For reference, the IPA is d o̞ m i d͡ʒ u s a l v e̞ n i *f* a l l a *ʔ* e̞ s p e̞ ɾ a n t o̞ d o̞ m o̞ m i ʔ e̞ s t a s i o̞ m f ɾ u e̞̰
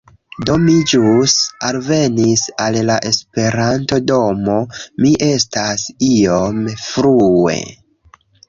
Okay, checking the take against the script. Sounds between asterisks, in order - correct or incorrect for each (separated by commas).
incorrect, correct